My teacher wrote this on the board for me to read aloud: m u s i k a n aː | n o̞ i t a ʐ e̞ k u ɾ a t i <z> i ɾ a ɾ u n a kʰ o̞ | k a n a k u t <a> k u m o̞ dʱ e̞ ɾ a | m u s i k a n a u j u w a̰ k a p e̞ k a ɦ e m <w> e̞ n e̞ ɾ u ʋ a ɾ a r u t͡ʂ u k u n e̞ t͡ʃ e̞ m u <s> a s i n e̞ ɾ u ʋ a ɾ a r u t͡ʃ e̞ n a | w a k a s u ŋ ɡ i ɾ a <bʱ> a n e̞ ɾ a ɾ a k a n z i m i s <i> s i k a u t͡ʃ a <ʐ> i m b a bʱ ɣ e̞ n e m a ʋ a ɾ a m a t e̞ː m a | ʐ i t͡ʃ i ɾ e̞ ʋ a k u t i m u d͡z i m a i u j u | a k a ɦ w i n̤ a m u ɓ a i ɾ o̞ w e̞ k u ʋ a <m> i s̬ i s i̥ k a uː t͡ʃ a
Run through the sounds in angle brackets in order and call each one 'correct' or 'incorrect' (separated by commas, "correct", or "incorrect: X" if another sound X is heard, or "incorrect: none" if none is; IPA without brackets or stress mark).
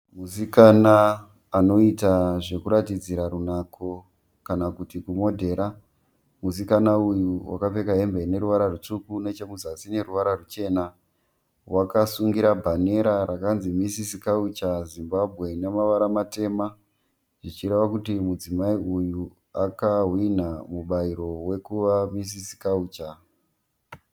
incorrect: d͡z, incorrect: i, incorrect: b, incorrect: z, correct, correct, incorrect: z, correct